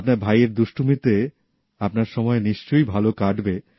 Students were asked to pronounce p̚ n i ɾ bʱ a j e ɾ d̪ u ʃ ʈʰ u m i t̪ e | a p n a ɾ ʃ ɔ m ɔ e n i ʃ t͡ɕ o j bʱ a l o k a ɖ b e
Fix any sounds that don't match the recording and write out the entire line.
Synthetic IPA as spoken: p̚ n a ɾ bʱ a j e ɾ d̪ u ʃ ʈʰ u m i t̪ e | a p n a ɾ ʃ ɔ m ɔ e n i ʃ t͡ɕ o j bʱ a l o k a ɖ b e